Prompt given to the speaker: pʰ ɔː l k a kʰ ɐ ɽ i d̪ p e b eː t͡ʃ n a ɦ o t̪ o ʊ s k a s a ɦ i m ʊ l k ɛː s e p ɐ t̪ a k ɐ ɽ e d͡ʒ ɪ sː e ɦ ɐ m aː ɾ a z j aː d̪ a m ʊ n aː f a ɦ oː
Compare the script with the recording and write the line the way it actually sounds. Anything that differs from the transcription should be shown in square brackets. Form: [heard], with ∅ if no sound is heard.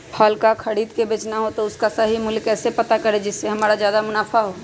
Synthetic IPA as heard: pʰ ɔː l k a kʰ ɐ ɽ [iː] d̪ [k] e b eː t͡ʃ n a ɦ o t̪ o ʊ s k a s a ɦ i m ʊ l k ɛː s e p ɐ t̪ a k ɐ [ɾ] e d͡ʒ ɪ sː e ɦ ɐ m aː ɾ a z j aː d̪ a m ʊ n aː f a ɦ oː